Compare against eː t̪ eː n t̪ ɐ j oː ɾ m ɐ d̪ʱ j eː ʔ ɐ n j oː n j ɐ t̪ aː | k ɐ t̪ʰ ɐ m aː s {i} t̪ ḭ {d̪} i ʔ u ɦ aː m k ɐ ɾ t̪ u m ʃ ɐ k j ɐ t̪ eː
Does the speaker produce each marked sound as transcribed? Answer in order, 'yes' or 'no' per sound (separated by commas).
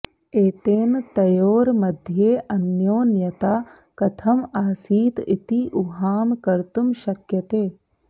no, no